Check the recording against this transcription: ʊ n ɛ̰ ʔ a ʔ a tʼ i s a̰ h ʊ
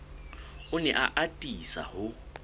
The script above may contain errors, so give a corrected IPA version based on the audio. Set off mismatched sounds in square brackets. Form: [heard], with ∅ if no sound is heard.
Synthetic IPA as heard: ʊ n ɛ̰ ʔ a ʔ a tʼ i s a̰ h ʊ